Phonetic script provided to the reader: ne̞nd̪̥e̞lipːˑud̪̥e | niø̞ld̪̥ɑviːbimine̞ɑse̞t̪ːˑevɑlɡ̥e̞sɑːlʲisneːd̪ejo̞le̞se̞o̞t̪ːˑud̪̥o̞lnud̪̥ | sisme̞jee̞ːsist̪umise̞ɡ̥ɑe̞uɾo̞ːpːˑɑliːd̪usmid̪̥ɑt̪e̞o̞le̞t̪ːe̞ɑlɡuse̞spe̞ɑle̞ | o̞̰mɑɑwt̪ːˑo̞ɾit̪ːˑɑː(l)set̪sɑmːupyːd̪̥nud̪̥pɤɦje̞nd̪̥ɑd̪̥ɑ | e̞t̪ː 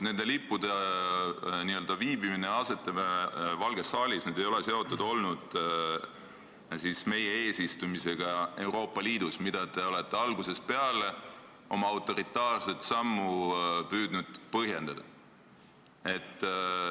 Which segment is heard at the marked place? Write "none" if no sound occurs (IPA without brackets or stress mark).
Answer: r